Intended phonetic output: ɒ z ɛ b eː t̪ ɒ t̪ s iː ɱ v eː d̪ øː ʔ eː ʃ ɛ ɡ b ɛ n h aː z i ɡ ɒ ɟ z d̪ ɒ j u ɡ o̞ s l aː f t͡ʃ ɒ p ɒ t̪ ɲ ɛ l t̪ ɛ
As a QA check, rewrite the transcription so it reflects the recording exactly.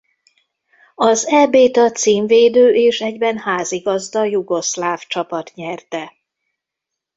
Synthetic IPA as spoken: ɒ z ɛ b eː t̪ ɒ t̪ s iː ɱ v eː d̪ øː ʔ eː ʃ ɛ ɟ b ɛ n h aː z i ɡ ɒ z d̪ ɒ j u ɡ o̞ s l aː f t͡ʃ ɒ p ɒ t̪ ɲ ɛ r t̪ ɛ